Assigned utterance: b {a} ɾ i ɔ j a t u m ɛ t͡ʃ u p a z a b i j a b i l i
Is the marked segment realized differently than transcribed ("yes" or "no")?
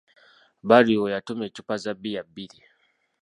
no